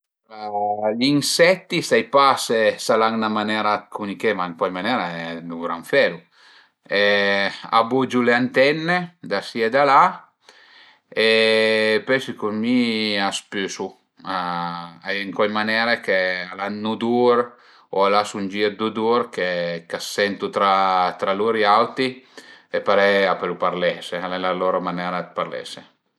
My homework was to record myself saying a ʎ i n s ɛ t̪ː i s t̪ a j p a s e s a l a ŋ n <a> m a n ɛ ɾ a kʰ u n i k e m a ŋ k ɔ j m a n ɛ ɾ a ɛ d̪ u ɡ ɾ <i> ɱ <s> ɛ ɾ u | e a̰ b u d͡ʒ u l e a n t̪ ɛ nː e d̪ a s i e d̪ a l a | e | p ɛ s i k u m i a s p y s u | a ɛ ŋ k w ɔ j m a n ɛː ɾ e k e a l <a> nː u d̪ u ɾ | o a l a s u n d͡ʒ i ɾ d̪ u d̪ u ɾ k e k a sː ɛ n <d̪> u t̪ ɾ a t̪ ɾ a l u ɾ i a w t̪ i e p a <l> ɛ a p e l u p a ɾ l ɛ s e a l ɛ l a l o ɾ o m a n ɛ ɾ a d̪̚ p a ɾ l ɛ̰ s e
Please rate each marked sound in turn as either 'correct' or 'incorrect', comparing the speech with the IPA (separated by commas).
correct, incorrect, incorrect, correct, incorrect, incorrect